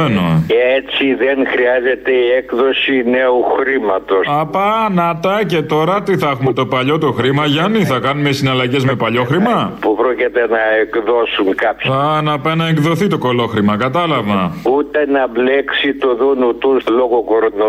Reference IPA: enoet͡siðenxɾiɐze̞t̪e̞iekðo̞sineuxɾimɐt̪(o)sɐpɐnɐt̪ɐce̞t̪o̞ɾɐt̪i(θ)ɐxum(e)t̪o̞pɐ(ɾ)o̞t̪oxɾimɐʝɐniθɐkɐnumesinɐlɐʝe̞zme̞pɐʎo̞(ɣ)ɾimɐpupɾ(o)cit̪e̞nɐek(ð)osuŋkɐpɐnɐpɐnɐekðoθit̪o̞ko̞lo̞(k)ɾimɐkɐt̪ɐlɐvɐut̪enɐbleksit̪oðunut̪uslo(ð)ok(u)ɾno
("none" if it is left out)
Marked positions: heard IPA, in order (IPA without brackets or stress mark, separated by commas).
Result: o, θ, e, ʎ, x, o, ð, x, ɣ, o